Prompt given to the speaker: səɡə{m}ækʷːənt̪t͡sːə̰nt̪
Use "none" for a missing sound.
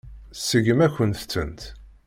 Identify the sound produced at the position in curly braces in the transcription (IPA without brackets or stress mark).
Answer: m